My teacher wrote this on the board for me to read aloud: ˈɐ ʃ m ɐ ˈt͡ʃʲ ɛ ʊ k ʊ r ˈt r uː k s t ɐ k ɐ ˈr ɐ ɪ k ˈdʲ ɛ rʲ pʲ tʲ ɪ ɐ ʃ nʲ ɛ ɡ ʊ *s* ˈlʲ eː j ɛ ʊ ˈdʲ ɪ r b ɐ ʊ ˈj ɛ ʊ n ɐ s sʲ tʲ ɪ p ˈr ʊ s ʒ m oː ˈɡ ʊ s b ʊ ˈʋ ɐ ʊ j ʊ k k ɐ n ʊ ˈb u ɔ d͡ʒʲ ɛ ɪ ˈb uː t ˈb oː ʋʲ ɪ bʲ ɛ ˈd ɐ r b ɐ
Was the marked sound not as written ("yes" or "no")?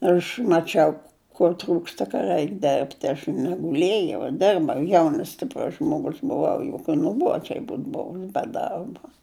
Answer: yes